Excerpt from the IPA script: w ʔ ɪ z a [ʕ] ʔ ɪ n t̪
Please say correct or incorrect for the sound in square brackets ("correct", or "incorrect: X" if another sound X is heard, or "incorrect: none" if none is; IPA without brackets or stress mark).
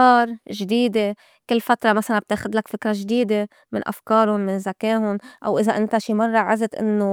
incorrect: none